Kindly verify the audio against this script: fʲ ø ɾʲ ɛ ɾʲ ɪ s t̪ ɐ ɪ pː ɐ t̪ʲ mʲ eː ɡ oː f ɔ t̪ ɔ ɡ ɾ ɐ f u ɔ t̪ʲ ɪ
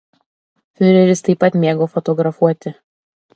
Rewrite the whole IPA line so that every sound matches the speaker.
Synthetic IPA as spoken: fʲ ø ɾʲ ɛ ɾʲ ɪ s t̪ ɐ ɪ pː ɐ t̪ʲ mʲ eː ɡ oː f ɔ t̪ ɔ ɡ ɾ ɐ f u ɔ t̪ʲ ɪ

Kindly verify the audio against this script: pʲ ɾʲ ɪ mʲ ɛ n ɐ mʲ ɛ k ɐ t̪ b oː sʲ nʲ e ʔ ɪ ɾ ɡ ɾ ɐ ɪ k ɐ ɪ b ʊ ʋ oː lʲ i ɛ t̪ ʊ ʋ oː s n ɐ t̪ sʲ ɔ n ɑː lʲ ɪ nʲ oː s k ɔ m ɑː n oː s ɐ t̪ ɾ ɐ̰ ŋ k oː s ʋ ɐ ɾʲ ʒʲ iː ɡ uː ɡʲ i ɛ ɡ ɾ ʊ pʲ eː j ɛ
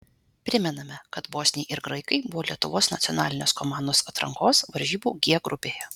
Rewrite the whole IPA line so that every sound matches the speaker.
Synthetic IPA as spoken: pʲ ɾʲ ɪ mʲ ɛ n ɐ mʲ ɛ k ɐ t̪ b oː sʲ nʲ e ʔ ɪ ɾ ɡ ɾ ɐ ɪ k ɐ ɪ b ʊ ʋ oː lʲ i ɛ t̪ ʊ ʋ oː s n ɐ t̪ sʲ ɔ n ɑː lʲ ɪ nʲ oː s k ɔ m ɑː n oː s ɐ t̪ ɾ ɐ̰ ŋ k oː s ʋ ɐ ɾʲ ʒʲ iː b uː ɡʲ i ɛ ɡ ɾ ʊ pʲ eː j ɛ

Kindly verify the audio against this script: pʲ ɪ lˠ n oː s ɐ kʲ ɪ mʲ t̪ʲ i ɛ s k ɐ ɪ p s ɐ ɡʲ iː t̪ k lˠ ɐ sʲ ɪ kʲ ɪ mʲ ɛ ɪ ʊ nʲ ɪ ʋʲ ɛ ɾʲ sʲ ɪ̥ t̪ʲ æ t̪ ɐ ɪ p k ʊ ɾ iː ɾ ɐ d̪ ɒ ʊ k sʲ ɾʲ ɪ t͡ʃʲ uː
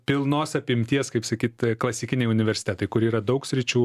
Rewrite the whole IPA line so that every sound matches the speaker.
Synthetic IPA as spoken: pʲ ɪ lˠ n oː s ɐ pʲ ɪ mʲ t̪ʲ i ɛ s k ɐ ɪ p s ɐ kʲ iː t̪ k lˠ ɐ sʲ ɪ kʲ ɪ nʲ ɛ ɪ ʊ nʲ ɪ ʋʲ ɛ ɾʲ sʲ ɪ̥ t̪ʲ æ t̪ ɐ ɪ k ʊ ɾ iː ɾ ɐ d̪ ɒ ʊ k sʲ ɾʲ ɪ t͡ʃʲ uː

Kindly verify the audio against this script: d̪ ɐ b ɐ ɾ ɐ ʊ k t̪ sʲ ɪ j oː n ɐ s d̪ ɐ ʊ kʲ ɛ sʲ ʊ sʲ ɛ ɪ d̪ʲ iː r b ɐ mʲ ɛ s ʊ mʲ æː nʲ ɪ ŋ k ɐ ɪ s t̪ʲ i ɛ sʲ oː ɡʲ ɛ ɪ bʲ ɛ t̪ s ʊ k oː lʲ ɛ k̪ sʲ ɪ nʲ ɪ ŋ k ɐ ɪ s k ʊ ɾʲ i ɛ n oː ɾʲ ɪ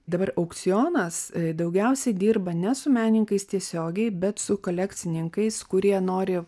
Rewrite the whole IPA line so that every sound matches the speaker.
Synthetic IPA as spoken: d̪ ɐ b ɐ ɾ ɐ ʊ k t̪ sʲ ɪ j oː n ɐ s d̪ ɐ ʊ ɡʲ ɛ ʊ sʲ ɛ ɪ d̪ʲ iː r b ɐ nʲ ɛ s ʊ mʲ æː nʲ ɪ ŋ k ɐ ɪ s t̪ʲ i ɛ sʲ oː ɡʲ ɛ ɪ bʲ ɛ t̪ s ʊ k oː lʲ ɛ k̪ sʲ ɪ nʲ ɪ ŋ k ɐ ɪ s k ʊ ɾʲ i ɛ n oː ɾʲ ɪ

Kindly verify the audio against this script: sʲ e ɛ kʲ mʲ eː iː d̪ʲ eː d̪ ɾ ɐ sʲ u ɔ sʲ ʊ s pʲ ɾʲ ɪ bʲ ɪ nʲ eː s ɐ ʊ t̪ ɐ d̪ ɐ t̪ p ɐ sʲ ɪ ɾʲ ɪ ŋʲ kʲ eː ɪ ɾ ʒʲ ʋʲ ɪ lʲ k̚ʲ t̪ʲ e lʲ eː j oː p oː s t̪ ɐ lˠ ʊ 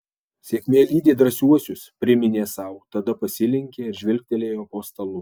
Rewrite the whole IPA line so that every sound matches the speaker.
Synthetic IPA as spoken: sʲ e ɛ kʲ mʲ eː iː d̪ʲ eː d̪ ɾ ɐ sʲ u ɔ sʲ ʊ s pʲ ɾʲ ɪ mʲ ɪ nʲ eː s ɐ ʊ t̪ ɐ d̪ ɐ p ɐ sʲ ɪ lʲ ɪ ŋʲ kʲ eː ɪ ɾ ʒʲ ʋʲ ɪ lʲ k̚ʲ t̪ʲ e lʲ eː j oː p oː s t̪ ɐ lˠ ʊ

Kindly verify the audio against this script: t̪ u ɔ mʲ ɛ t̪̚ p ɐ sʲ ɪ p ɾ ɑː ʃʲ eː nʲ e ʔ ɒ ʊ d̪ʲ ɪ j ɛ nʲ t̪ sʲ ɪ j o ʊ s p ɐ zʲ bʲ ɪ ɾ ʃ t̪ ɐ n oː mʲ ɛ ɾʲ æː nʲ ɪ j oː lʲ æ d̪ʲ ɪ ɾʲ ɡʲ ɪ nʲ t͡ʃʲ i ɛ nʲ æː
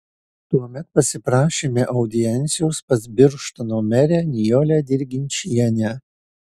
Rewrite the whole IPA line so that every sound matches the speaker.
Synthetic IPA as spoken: t̪ u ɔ mʲ ɛ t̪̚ p ɐ sʲ ɪ p ɾ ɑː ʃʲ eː mʲ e ʔ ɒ ʊ d̪ʲ ɪ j ɛ nʲ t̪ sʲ ɪ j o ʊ s p ɐ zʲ bʲ ɪ ɾ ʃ t̪ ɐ n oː mʲ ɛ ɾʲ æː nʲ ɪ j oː lʲ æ d̪ʲ ɪ ɾʲ ɡʲ ɪ nʲ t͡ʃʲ i ɛ nʲ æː

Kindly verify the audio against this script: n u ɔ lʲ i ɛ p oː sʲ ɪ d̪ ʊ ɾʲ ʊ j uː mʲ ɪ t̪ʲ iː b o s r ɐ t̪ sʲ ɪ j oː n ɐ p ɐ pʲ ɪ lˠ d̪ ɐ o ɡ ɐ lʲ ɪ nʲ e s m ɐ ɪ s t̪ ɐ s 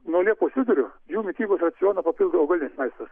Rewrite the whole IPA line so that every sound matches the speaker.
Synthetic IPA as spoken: n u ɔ lʲ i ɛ p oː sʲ ɪ d̪ ʊ ɾʲ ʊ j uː mʲ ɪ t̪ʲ iː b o s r ɐ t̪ sʲ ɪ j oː n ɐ p ɐ pʲ ɪ lˠ d̪ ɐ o ɡ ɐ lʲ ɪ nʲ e s m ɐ ɪ s t̪ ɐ s

